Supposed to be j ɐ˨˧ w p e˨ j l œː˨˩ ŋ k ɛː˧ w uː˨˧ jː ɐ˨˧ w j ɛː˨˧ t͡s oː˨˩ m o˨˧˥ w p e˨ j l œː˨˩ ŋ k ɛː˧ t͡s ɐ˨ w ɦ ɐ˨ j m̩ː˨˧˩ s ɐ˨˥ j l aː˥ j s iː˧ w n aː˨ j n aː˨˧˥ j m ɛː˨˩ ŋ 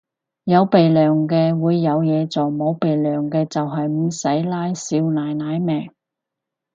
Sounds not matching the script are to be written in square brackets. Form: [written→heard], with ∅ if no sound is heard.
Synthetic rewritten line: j ɐ˨˧ w p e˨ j l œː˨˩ ŋ k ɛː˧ w uː˨˧ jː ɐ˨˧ w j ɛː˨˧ t͡s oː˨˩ m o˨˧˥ w p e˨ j l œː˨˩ ŋ k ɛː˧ t͡s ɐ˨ w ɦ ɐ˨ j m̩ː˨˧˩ s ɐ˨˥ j l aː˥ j s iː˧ w n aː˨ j n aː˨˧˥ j m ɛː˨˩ ŋ